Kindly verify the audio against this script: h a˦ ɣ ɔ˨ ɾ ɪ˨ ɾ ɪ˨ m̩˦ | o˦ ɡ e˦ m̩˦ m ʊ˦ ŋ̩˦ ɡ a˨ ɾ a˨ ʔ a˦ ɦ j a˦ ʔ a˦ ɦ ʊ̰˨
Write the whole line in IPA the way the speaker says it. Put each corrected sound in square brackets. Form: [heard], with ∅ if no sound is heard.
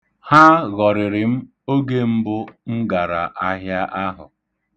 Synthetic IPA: h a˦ ɣ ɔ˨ ɾ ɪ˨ ɾ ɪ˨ m̩˦ | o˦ ɡ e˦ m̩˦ [b] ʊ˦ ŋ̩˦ ɡ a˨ ɾ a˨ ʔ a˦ ɦ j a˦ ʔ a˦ ɦ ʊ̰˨